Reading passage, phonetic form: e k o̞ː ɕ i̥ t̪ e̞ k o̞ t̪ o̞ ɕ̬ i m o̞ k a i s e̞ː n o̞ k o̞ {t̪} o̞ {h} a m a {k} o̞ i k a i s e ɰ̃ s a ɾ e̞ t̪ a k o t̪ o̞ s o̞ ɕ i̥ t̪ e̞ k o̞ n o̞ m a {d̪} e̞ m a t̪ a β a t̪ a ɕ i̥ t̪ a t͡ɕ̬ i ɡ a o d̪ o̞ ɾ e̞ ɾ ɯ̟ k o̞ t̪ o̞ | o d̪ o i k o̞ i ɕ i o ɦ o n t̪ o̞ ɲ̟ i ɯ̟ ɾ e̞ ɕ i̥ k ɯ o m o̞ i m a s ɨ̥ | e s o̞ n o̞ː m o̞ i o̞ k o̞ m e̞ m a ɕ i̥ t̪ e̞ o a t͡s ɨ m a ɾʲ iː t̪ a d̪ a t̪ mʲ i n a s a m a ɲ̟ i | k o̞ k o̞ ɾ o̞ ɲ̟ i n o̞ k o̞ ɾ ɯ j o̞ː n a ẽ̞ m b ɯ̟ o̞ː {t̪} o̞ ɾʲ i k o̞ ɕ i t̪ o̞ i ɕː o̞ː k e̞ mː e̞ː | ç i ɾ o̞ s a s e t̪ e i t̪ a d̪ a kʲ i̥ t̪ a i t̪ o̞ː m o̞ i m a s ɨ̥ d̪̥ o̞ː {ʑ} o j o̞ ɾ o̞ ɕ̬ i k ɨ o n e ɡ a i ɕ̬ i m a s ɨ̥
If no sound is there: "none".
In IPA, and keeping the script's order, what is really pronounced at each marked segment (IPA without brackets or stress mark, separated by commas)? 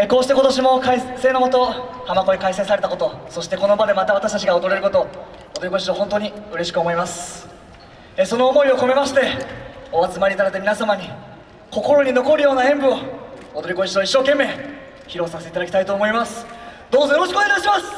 t̪, h, k, d̪, d̪, z